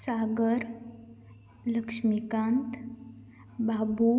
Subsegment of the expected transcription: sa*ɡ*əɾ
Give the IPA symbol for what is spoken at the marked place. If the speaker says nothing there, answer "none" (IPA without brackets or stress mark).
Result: ɡ